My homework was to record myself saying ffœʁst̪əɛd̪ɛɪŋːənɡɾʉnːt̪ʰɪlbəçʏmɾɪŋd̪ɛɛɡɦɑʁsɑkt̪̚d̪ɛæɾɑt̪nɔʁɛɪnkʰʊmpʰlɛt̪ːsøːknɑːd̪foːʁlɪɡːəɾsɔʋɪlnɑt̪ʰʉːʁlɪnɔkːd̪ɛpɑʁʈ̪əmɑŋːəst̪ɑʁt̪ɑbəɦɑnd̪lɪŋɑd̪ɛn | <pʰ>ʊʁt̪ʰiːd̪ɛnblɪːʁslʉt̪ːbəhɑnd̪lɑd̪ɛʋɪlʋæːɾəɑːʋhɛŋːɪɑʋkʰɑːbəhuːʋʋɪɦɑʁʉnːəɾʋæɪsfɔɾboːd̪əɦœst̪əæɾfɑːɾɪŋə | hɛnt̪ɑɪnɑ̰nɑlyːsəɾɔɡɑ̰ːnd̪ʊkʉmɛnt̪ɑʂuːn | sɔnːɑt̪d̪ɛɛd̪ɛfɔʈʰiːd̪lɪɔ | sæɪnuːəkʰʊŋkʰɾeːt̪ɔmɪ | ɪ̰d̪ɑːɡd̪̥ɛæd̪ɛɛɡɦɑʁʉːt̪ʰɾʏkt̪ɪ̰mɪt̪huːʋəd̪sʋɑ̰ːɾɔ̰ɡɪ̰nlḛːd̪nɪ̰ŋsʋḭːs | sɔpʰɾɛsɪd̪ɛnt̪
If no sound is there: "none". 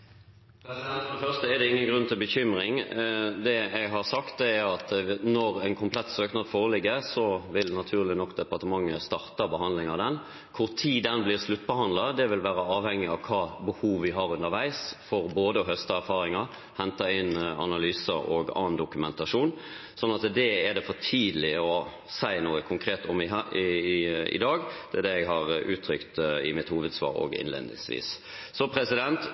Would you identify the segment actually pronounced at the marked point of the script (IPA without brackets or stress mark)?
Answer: kʰ